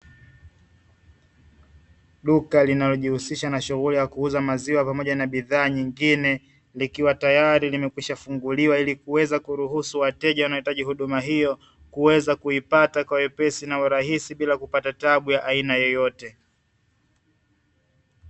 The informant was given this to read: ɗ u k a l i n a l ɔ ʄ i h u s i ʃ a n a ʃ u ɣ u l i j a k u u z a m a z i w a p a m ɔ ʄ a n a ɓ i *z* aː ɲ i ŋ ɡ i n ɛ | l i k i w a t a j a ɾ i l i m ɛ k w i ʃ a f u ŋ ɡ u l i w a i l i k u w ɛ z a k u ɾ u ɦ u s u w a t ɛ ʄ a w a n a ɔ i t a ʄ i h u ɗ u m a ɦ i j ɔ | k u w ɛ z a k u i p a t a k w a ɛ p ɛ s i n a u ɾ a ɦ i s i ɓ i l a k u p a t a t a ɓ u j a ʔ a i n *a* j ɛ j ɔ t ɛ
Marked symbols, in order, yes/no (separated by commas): no, yes